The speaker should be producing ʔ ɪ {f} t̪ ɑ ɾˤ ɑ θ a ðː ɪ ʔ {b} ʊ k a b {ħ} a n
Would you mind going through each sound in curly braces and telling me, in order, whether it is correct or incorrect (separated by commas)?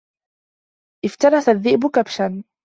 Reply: correct, correct, incorrect